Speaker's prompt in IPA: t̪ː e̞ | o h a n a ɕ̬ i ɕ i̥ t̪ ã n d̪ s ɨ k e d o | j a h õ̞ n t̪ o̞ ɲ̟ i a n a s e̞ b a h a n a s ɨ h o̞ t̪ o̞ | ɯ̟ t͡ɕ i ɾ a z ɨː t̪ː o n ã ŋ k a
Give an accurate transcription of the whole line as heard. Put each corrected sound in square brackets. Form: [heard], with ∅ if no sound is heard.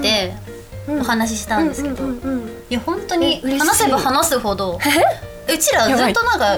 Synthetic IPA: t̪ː e̞ | o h a n a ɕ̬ i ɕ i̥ t̪ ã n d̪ s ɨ k e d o | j a h õ̞ n t̪ o̞ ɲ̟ i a n a s e̞ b a h a n a s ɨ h o̞ [d̪] o̞ | ɯ̟ t͡ɕ i ɾ a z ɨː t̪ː o n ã ŋ k a